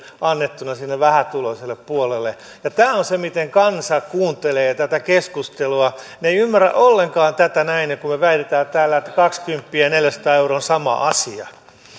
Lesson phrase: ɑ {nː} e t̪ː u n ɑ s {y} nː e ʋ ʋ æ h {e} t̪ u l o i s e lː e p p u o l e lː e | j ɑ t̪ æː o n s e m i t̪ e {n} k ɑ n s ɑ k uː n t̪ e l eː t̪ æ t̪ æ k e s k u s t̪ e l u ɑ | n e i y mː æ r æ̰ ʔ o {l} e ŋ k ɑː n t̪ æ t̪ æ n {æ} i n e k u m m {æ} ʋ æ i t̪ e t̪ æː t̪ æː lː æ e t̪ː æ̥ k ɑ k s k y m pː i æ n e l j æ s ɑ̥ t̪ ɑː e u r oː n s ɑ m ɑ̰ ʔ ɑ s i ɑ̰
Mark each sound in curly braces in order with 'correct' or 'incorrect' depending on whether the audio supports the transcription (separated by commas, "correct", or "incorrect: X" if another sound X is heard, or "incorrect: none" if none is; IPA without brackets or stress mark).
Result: correct, incorrect: i, incorrect: æ, incorrect: ŋ, incorrect: lː, correct, incorrect: e